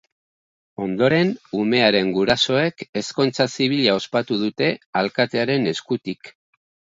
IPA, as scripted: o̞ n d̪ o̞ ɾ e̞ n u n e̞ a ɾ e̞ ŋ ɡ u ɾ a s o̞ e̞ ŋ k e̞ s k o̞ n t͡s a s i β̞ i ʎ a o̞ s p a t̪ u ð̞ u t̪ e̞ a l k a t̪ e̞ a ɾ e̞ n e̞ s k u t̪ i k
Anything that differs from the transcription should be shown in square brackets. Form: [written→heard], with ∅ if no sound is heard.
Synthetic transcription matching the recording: o̞ n d̪ o̞ ɾ e̞ n u [n→m] e̞ a ɾ e̞ ŋ ɡ u ɾ a s o̞ e̞ [ŋ→∅] k e̞ s k o̞ n t͡s a s i β̞ i ʎ a o̞ s p a t̪ u ð̞ u t̪ e̞ a l k a t̪ e̞ a ɾ e̞ n e̞ s k u t̪ i k